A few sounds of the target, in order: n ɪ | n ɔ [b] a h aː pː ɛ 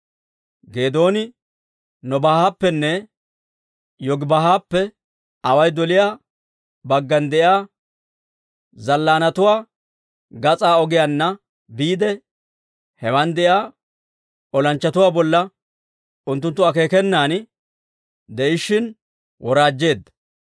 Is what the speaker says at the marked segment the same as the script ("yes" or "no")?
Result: yes